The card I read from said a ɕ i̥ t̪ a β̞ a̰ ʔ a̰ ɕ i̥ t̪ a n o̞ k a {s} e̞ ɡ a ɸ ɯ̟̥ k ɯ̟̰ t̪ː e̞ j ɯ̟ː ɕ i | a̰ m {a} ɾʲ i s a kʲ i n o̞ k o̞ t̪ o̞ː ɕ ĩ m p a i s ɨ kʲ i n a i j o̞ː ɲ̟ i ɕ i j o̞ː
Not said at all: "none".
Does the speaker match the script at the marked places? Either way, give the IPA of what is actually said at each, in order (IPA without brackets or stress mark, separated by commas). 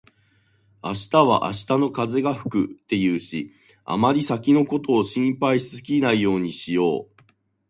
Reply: z, a